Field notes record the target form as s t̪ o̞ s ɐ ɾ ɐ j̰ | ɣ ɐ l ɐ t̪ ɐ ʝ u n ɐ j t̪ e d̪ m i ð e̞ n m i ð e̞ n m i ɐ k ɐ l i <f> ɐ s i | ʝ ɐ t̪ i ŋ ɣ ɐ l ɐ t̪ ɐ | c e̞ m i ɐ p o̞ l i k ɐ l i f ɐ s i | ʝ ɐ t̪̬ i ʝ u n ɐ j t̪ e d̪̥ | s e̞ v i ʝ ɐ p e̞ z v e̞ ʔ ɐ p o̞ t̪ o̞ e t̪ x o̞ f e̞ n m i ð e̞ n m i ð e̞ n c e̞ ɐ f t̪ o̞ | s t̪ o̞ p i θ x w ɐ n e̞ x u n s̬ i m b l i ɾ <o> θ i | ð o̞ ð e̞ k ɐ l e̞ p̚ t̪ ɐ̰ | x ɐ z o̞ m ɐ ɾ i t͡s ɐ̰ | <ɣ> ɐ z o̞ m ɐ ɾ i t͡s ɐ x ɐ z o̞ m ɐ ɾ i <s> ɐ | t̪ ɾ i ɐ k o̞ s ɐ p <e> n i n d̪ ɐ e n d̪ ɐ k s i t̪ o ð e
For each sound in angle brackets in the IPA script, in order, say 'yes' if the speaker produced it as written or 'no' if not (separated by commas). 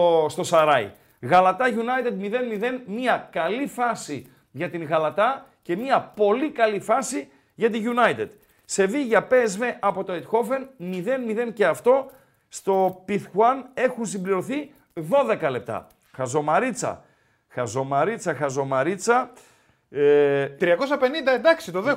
yes, yes, no, no, yes